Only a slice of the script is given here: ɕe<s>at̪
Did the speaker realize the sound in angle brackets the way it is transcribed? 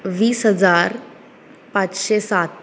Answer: yes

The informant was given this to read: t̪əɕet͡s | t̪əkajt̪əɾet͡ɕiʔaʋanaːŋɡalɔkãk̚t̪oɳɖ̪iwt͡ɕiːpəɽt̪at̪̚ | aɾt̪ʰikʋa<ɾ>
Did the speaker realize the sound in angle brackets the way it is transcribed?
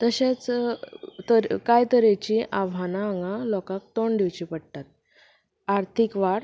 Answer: no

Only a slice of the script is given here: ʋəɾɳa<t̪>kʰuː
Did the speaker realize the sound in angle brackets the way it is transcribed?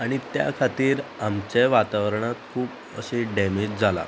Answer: yes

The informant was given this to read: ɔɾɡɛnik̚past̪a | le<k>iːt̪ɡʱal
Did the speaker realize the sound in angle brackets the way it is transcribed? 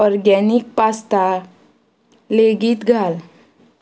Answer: no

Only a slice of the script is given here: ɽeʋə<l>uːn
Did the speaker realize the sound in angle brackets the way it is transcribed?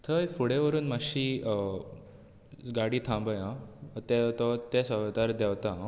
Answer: no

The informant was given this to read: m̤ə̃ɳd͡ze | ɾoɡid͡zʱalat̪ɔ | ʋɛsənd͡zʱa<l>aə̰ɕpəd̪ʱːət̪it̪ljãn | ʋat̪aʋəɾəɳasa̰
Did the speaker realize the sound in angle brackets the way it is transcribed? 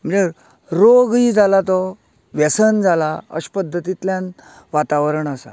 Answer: yes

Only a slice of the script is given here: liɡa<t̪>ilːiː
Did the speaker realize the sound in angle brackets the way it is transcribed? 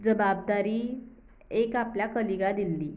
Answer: no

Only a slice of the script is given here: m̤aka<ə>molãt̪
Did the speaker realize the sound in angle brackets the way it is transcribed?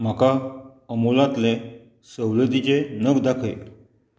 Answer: yes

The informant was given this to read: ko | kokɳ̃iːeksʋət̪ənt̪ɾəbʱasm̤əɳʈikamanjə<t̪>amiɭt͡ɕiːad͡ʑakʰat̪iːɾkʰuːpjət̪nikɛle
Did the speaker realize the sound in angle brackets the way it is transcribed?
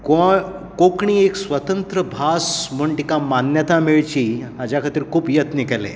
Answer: yes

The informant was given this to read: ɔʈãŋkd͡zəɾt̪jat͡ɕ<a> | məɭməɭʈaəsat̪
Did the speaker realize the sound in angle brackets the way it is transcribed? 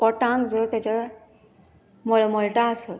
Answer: yes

